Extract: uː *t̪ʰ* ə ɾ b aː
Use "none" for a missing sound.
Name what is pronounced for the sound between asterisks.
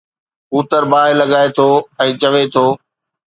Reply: t̪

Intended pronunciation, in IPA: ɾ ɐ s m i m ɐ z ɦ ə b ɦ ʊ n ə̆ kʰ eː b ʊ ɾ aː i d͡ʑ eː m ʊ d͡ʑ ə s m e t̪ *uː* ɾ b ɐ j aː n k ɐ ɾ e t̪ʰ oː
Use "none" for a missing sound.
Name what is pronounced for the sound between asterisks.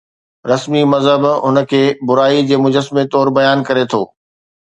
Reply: ɔː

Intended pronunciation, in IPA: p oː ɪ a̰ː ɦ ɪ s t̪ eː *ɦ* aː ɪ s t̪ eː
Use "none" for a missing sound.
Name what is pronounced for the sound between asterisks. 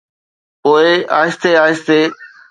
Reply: none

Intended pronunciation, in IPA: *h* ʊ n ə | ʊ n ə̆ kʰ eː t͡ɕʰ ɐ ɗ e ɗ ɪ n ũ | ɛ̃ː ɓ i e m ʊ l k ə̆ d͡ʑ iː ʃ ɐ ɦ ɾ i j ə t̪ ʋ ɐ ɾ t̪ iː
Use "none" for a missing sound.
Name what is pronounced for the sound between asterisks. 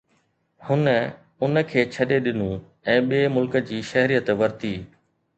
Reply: h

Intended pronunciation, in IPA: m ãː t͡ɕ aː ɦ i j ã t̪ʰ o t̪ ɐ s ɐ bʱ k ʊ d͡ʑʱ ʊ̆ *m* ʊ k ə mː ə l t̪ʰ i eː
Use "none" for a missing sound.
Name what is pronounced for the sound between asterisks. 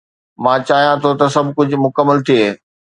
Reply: m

